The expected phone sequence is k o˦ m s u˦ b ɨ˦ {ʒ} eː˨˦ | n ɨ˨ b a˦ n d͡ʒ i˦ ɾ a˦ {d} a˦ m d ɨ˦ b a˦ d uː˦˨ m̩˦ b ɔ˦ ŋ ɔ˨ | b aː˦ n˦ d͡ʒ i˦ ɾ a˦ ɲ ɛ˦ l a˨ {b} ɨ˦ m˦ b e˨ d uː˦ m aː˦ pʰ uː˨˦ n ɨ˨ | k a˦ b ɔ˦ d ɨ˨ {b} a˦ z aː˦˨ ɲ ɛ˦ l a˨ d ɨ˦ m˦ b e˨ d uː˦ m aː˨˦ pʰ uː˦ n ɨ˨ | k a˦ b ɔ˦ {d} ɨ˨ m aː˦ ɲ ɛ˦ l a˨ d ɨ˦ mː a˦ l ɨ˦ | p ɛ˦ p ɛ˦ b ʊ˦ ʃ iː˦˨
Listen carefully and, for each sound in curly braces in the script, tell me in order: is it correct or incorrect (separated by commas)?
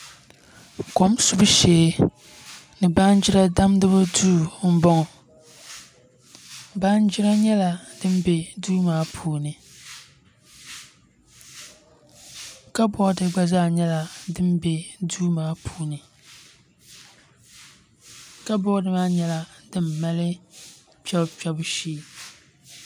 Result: incorrect, correct, incorrect, incorrect, correct